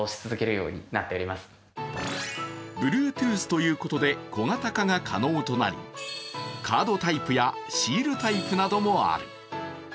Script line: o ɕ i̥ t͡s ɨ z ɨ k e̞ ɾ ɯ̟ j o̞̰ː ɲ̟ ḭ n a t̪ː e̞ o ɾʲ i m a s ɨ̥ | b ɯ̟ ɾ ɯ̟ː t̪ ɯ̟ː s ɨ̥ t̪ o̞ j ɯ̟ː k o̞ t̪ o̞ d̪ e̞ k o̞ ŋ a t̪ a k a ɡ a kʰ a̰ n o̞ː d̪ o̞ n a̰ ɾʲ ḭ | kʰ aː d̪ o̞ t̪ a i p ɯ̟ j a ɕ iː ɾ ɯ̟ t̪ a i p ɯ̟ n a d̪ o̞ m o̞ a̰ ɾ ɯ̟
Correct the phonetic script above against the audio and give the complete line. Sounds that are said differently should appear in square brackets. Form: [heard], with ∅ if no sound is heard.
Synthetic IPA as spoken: o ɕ i̥ t͡s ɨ z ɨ k e̞ ɾ ɯ̟ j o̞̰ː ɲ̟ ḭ n a t̪ː e̞ o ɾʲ i m a s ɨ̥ | b ɯ̟ ɾ ɯ̟ː t̪ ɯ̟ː s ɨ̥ t̪ o̞ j ɯ̟ː k o̞ t̪ o̞ d̪ e̞ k o̞ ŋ a t̪ a k a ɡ a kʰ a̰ n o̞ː [t̪] o̞ n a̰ ɾʲ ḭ | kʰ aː d̪ o̞ t̪ a i p ɯ̟ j a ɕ iː ɾ ɯ̟ t̪ a i p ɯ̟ n a d̪ o̞ m o̞ a̰ ɾ ɯ̟